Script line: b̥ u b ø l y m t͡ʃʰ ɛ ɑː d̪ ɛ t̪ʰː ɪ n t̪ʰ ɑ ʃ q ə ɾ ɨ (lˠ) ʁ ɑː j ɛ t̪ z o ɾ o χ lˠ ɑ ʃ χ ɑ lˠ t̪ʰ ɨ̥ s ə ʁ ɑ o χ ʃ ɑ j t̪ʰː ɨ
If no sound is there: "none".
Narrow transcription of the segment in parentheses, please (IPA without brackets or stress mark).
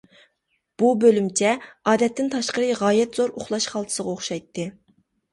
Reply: none